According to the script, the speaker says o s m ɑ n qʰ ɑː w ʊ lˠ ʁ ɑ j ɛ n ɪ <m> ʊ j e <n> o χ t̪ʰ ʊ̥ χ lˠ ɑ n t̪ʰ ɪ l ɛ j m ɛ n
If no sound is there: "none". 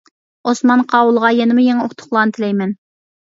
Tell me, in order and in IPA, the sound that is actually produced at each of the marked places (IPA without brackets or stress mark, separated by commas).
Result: m, ŋ